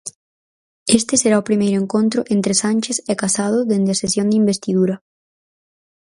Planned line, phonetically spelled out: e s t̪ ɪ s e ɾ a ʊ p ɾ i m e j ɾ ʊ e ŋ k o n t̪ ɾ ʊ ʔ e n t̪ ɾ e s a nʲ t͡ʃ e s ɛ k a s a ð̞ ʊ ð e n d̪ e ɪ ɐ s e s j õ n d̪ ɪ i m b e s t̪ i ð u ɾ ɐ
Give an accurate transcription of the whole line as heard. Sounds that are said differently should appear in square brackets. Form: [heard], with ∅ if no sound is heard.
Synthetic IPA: e s t̪ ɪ s e ɾ a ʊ p ɾ i m e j ɾ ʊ e ŋ k o n t̪ ɾ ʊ ʔ e n t̪ ɾ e s a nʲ t͡ʃ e s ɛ k a s a ð̞ ʊ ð e n d̪ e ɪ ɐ s e s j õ n d̪ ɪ i m b e s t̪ i ð u ɾ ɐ

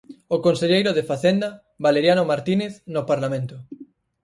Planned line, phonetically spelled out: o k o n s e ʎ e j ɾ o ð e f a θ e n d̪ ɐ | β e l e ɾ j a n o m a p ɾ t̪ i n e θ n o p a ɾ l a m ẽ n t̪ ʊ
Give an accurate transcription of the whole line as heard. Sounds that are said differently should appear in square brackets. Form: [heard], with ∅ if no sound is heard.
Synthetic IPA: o k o n s e ʎ e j ɾ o ð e f a θ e n d̪ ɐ | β [a] l e ɾ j a n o m a [∅] ɾ t̪ i n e θ n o p a ɾ l a m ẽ n t̪ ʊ

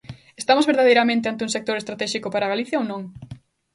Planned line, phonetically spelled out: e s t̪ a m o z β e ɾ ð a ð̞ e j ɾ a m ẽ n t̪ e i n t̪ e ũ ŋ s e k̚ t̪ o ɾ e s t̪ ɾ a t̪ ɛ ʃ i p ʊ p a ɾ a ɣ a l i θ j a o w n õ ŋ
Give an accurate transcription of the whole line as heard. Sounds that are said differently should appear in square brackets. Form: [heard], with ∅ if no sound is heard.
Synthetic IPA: e s t̪ a m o z β e ɾ ð a ð̞ e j ɾ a m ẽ n t̪ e [a] n t̪ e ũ ŋ s e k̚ t̪ o ɾ e s t̪ ɾ a t̪ ɛ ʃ i [k] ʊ p a ɾ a ɣ a l i θ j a o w n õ ŋ

